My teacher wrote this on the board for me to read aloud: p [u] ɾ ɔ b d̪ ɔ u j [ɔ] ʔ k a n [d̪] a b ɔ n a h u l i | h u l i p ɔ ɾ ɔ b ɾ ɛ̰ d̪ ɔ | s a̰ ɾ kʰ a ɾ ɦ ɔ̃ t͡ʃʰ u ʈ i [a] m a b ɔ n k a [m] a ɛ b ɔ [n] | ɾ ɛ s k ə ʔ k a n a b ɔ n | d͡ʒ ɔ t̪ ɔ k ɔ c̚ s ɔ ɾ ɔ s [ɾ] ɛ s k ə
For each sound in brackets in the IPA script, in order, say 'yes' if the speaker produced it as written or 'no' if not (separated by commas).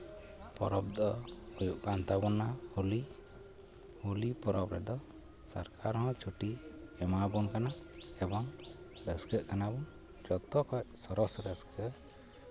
no, no, no, no, no, no, yes